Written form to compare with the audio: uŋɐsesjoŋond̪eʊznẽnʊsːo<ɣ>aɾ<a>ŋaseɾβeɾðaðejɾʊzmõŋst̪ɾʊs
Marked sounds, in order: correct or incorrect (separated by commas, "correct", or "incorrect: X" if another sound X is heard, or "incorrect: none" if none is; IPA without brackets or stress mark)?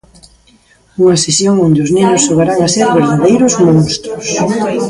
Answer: correct, correct